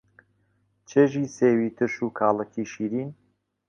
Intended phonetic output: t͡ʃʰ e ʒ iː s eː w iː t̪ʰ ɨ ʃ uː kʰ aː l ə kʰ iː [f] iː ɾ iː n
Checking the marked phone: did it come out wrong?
yes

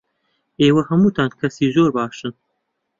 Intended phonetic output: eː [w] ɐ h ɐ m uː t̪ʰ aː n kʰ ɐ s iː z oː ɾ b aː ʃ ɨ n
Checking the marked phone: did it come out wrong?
no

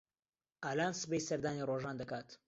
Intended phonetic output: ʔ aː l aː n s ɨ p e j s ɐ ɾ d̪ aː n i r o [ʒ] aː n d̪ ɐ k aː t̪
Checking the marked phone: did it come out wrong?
no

